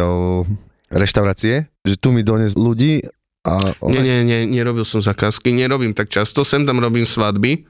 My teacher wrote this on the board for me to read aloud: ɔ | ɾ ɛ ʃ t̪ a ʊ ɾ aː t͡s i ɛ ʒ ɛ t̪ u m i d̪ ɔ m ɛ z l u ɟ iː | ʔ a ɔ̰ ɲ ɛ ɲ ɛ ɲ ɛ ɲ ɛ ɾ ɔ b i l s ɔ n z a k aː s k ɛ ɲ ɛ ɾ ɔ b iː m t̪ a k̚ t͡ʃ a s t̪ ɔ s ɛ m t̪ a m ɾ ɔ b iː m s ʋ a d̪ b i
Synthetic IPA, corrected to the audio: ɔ | ɾ ɛ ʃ t̪ a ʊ ɾ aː t͡s i ɛ ʒ ɛ t̪ u m i d̪ ɔ ɲ ɛ z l u ɟ iː | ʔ a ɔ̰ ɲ ɛ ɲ ɛ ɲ ɛ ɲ ɛ ɾ ɔ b i l s ɔ m z a k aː s k i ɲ ɛ ɾ ɔ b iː m t̪ a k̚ t͡ʃ a s t̪ ɔ s ɛ m t̪ a m ɾ ɔ b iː m s ʋ a d̪ b i